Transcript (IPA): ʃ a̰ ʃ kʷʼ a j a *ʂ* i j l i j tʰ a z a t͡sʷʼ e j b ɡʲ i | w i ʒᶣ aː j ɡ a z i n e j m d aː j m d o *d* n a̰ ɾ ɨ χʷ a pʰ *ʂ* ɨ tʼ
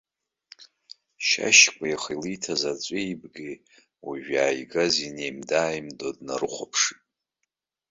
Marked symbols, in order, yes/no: no, yes, yes

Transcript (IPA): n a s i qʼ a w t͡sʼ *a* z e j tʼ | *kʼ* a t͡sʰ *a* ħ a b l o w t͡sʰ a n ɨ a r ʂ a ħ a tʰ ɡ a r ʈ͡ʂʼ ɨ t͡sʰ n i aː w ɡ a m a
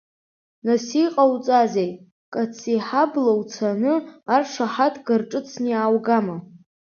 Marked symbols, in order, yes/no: yes, yes, no

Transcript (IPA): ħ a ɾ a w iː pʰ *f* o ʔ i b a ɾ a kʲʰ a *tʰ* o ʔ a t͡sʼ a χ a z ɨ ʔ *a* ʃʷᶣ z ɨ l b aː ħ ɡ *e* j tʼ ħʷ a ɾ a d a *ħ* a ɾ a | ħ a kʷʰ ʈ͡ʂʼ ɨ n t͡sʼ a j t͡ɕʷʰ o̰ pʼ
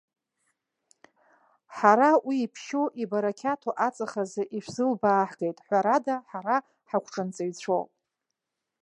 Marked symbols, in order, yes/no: no, yes, no, yes, yes

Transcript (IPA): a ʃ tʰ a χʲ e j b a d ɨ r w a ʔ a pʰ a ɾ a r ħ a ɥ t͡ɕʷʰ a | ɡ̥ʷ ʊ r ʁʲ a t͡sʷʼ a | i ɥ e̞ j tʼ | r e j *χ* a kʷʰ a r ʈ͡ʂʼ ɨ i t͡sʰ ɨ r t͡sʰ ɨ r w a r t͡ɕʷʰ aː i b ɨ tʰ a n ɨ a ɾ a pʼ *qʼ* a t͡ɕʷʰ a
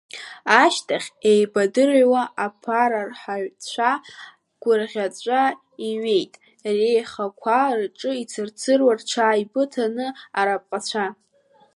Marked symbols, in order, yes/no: yes, yes

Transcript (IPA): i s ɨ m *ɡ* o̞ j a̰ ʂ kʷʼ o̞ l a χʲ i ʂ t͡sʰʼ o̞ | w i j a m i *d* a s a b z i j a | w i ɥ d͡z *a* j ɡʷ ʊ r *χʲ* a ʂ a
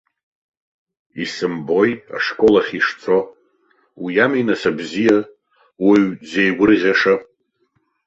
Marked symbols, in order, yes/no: no, no, no, no

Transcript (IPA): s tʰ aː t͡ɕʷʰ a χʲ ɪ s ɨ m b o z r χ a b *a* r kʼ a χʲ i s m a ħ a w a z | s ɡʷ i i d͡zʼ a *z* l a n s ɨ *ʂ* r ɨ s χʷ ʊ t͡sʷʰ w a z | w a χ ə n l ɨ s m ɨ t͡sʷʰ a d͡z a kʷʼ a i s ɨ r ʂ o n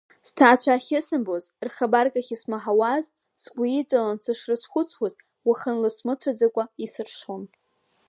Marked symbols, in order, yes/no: yes, no, yes

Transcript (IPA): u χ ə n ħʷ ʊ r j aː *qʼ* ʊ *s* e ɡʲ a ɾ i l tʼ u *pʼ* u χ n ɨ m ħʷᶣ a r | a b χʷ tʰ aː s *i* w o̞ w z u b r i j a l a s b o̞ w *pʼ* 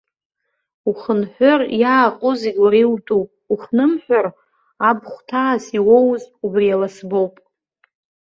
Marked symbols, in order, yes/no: yes, no, yes, yes, yes

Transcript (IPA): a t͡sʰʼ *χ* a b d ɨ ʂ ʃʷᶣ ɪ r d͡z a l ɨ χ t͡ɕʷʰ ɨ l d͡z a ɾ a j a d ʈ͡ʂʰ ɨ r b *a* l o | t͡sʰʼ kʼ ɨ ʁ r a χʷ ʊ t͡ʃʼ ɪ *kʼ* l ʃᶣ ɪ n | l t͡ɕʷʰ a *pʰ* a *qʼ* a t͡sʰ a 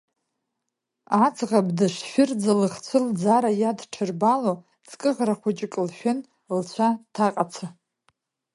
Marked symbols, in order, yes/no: no, yes, yes, no, yes

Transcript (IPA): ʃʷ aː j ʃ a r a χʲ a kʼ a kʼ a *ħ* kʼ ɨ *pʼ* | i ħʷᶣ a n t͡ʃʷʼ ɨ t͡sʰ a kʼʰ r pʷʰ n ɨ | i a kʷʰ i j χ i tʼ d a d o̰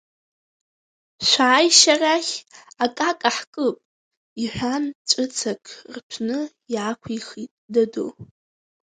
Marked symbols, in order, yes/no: yes, yes

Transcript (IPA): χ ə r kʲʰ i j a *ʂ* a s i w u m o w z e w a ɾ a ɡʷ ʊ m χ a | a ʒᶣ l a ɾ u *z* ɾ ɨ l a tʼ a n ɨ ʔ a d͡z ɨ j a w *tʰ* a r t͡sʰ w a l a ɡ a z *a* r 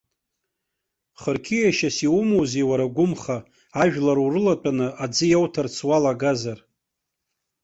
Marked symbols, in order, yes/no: no, no, yes, yes

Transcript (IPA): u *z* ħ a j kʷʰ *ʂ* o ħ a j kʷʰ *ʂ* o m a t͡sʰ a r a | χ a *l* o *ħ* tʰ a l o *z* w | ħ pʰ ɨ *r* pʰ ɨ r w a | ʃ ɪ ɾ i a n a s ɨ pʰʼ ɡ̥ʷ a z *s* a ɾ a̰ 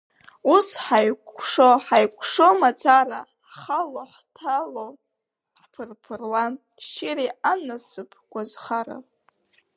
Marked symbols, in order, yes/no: no, yes, yes, yes, yes, no, yes, no

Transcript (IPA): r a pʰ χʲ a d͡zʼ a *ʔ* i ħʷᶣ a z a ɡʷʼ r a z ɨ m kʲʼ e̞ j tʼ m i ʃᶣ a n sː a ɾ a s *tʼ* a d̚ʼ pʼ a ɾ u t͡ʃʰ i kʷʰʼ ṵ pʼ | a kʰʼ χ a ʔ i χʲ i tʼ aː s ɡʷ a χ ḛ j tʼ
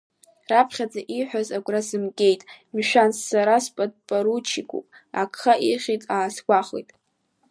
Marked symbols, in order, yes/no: yes, no

